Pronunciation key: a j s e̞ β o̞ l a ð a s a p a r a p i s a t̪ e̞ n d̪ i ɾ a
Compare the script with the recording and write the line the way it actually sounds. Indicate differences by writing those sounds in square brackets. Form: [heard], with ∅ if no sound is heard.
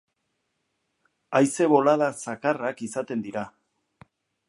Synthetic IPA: a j s e̞ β o̞ l a ð a s a [k] a r a [k] i s a t̪ e̞ n d̪ i ɾ a

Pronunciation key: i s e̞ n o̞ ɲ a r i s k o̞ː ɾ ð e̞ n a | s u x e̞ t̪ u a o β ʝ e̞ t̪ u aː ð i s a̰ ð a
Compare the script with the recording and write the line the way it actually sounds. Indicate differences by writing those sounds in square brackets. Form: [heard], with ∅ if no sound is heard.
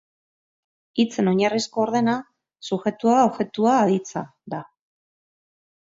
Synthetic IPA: i [t͡s] e̞ n o̞ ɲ a r i s k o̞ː ɾ ð e̞ n a | s u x e̞ t̪ u a o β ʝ e̞ t̪ u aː ð i [t͡s] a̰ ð a

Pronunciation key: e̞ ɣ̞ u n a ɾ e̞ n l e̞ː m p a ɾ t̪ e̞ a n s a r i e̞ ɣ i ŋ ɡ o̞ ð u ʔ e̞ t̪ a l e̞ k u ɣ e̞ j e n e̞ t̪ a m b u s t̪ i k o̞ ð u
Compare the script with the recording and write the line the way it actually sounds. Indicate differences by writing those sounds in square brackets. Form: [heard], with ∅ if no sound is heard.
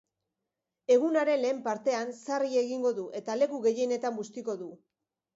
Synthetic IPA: e̞ ɣ̞ u n a ɾ e̞ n l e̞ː m p a ɾ t̪ e̞ a n s a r i e̞ ɣ i ŋ ɡ o̞ ð u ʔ e̞ t̪ a l e̞ k u ɣ e̞ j e n e̞ t̪ a m b u s t̪ i k o̞ ð u

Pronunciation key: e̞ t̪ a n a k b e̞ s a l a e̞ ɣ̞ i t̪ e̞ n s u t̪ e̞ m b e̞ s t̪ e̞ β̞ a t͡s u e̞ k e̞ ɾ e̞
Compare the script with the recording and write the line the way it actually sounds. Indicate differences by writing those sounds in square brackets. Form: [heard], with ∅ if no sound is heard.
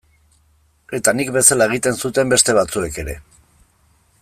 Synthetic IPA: e̞ t̪ a n [i] k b e̞ s a l a e̞ ɣ̞ i t̪ e̞ n s u t̪ e̞ m b e̞ s t̪ e̞ β̞ a t͡s u e̞ k e̞ ɾ e̞

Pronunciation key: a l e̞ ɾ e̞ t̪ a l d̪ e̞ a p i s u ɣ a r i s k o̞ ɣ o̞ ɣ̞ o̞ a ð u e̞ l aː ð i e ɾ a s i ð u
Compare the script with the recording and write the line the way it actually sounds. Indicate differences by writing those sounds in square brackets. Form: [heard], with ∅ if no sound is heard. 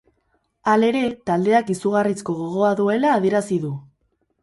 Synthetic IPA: a l e̞ ɾ e̞ t̪ a l d̪ e̞ a [k] i s u ɣ a r i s k o̞ ɣ o̞ ɣ̞ o̞ a ð u e̞ l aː ð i e ɾ a s i ð u

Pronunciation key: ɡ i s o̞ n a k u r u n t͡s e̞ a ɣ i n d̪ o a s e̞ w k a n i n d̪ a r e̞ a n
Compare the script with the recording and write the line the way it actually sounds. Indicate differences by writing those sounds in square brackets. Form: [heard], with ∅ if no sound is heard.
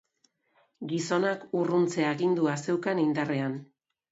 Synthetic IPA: ɡ i s o̞ n a k u r u n t͡s e̞ a ɣ i n d̪ [u] a s e̞ w k a n i n d̪ a r e̞ a n

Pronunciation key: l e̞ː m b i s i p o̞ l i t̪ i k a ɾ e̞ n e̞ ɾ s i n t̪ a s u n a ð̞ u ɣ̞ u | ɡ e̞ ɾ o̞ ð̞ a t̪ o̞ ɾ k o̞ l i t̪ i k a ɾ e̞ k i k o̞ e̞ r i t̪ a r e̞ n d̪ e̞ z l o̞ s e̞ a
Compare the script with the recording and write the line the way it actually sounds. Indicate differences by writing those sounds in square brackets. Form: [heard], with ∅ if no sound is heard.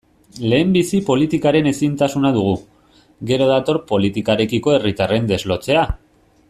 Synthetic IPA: l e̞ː m b i s i p o̞ l i t̪ i k a ɾ e̞ n e̞ [∅] s i n t̪ a s u n a ð̞ u ɣ̞ u | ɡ e̞ ɾ o̞ ð̞ a t̪ o̞ ɾ [p] o̞ l i t̪ i k a ɾ e̞ k i k o̞ e̞ r i t̪ a r e̞ n d̪ e̞ z l o̞ [t͡s] e̞ a

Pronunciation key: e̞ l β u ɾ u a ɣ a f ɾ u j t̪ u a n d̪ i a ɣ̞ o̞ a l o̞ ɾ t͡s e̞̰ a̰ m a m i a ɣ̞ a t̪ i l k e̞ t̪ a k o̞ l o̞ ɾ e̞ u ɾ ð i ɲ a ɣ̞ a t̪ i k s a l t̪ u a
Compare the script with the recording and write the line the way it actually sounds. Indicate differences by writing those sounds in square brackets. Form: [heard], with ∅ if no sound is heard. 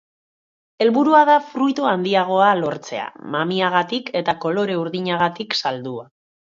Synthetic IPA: e̞ l β u ɾ u a [ð] a f ɾ u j t̪ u a n d̪ i a ɣ̞ o̞ a l o̞ ɾ t͡s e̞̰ a̰ m a m i a ɣ̞ a t̪ i [∅] k e̞ t̪ a k o̞ l o̞ ɾ e̞ u ɾ ð i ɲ a ɣ̞ a t̪ i k s a l [d̪] u a

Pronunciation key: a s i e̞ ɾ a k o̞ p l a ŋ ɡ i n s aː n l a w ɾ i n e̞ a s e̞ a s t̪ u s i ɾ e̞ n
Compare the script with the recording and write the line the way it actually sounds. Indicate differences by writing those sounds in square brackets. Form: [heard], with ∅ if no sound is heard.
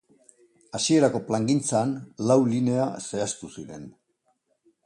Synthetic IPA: a s i e̞ ɾ a k o̞ p l a ŋ ɡ i n [t͡s] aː n l a w [l] i n e̞ a s e̞ a s t̪ u s i ɾ e̞ n

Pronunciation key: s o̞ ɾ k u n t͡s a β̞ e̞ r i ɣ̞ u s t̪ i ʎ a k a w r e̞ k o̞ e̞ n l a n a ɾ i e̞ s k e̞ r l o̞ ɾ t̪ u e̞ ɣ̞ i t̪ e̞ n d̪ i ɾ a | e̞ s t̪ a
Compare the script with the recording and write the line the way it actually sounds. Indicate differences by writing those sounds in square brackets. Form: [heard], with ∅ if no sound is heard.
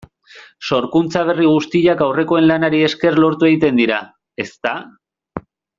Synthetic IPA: s o̞ ɾ k u n t͡s a β̞ e̞ r i ɣ̞ u s t̪ i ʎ a k a w r e̞ k o̞ e̞ n l a n a ɾ i e̞ s k e̞ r l o̞ ɾ t̪ u e̞ ɣ̞ i t̪ e̞ n d̪ i ɾ a | e̞ s t̪ a

